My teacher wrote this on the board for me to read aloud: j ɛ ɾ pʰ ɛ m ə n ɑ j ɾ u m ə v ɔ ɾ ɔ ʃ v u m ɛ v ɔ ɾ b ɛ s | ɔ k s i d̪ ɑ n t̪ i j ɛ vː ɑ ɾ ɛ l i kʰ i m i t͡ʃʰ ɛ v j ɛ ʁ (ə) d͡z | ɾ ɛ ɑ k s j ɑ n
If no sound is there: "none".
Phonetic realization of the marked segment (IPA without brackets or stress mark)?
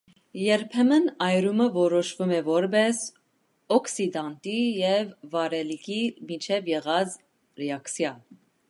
ɑ